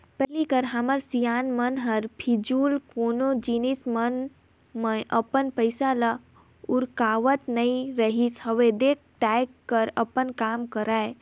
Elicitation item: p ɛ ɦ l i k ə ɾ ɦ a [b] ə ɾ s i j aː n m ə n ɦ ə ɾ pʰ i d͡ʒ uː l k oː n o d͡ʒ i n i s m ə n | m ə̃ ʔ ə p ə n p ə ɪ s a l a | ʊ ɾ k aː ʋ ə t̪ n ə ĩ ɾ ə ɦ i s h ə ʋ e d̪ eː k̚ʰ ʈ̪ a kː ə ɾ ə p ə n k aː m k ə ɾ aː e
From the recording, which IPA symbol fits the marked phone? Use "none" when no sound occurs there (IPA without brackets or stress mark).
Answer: m